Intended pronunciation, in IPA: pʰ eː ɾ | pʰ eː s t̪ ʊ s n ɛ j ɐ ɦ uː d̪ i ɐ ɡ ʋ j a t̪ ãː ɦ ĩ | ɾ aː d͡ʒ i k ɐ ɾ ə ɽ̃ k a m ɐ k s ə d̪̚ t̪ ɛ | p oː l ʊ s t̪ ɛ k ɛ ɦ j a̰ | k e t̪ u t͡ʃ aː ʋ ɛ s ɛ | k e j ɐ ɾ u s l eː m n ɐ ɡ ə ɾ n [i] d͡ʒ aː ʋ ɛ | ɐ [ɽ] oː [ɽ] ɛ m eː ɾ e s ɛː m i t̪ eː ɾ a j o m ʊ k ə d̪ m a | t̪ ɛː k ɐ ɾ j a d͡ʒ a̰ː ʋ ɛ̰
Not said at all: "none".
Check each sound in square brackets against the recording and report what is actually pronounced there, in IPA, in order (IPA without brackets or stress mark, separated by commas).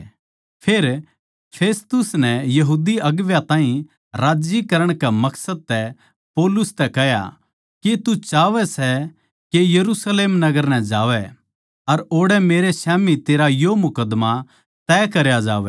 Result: ɛ, ɾ, ɽ